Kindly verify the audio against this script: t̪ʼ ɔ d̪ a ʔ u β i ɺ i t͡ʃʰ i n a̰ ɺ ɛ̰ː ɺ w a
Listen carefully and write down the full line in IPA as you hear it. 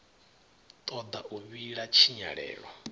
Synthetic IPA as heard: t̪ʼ ɔ d̪ a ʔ u β i ɺ a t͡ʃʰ i ɲ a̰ ɺ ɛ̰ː ɺ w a